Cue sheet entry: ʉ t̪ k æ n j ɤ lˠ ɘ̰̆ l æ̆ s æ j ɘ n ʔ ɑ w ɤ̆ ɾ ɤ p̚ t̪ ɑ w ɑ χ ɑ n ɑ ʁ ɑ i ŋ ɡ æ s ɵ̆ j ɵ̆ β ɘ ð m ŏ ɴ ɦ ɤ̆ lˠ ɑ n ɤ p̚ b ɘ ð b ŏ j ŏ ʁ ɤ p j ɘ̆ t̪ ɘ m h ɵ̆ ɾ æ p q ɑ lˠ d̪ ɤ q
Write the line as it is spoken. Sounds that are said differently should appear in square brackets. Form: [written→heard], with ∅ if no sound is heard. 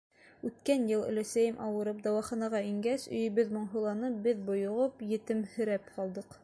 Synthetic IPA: ʉ t̪ k æ n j ɤ lˠ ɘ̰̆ l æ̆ s æ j ɘ [n→m] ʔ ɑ w ɤ̆ ɾ ɤ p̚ [t̪→d̪] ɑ w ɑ χ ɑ n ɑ ʁ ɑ i ŋ ɡ æ s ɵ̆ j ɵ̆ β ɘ ð m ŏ ɴ ɦ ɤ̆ lˠ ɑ n ɤ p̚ b ɘ ð b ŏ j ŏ ʁ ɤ p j ɘ̆ t̪ ɘ m h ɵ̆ ɾ æ p q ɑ lˠ d̪ ɤ q